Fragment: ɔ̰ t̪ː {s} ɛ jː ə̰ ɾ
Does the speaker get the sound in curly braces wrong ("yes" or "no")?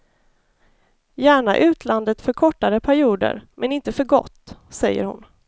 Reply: no